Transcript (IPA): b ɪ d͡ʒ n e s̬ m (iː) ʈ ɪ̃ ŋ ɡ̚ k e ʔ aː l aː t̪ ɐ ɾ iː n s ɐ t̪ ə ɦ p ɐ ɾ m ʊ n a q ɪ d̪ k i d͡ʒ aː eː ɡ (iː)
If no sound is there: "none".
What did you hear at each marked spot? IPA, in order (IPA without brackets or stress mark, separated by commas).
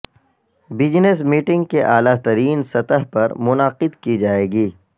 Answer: iː, iː